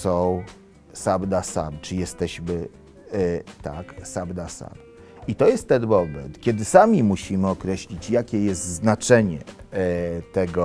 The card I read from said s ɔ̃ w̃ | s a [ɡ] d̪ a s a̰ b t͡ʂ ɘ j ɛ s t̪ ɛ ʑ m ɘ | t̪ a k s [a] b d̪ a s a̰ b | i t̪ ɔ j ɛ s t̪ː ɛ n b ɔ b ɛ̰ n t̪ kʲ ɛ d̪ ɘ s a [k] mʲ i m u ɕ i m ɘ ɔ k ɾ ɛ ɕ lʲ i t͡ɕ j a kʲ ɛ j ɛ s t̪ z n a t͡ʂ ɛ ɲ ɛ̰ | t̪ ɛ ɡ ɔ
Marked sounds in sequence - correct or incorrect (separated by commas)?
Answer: incorrect, correct, incorrect